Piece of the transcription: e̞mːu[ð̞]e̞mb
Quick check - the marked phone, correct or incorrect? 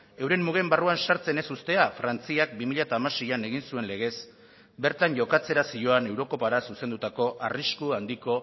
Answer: incorrect